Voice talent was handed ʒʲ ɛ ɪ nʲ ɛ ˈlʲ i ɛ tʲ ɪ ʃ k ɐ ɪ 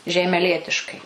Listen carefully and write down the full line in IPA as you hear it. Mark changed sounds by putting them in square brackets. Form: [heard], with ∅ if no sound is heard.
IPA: ʒʲ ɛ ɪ [mʲ] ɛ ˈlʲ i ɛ tʲ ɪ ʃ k ɐ ɪ